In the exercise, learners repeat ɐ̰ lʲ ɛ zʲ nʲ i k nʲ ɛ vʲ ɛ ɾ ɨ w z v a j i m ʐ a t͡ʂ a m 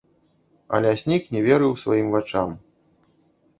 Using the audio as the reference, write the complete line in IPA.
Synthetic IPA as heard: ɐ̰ lʲ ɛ sʲ nʲ i k nʲ ɛ vʲ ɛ ɾ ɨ w s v a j i m v a t͡ʂ a m

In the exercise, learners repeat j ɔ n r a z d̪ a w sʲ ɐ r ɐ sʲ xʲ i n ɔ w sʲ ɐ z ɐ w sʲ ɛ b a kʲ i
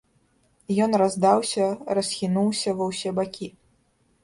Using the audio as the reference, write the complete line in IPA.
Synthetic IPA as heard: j ɔ n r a z d̪ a w sʲ ɐ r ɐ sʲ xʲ i n u w sʲ ɐ v ɐ w sʲ ɛ b a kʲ i

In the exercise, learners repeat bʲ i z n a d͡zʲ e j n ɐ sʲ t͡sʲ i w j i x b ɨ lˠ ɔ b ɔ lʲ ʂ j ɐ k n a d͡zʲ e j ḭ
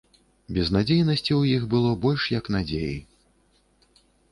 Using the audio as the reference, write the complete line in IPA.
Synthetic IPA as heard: bʲ ɛ z n a d͡zʲ e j n ɐ sʲ t͡sʲ i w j i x b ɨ lˠ ɔ b ɔ lʲ ʂ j ɐ k n a d͡zʲ e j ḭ

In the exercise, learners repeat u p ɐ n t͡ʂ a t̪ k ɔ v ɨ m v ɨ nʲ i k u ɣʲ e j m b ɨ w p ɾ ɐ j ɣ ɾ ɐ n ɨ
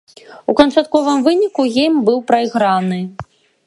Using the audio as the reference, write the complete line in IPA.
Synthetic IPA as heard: u k ɐ n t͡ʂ a t̪ k ɔ v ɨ m v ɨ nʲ i k u ɣʲ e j m b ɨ w p ɾ ɐ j ɣ ɾ a n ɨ

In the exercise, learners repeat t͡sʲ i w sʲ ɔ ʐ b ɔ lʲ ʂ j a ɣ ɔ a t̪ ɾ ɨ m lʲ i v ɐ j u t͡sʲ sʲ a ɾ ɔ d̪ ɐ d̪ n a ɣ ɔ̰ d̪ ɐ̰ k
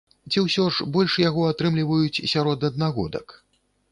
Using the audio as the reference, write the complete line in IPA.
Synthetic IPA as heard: t͡sʲ i w sʲ ɔ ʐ b ɔ lʲ ʂ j a ɣ ɔ a t̪ ɾ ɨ m lʲ i v ɐ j u t͡sʲ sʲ a ɾ ɔ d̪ ɐ d̪ n a ɣ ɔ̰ d̪ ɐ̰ k

